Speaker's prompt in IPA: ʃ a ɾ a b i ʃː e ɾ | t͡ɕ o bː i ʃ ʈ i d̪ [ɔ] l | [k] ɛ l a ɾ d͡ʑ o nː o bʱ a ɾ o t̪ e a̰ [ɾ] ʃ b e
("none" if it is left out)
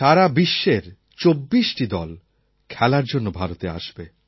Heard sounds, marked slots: ɔ, kʰ, none

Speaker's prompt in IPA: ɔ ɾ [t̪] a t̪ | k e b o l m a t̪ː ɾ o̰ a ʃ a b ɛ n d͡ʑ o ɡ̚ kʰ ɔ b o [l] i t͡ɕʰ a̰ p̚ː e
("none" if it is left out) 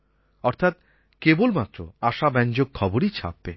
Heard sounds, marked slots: t̪ʰ, ɾ

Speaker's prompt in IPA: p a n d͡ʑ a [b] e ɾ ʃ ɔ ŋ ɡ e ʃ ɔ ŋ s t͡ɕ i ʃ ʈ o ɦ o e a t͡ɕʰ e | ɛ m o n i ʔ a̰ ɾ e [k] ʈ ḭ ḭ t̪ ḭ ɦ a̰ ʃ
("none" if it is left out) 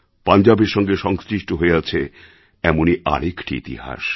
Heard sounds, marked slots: b, k

